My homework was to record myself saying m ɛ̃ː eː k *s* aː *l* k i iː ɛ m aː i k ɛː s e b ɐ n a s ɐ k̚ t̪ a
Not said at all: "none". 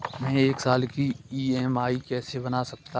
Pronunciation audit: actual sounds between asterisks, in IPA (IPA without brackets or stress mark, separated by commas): s, l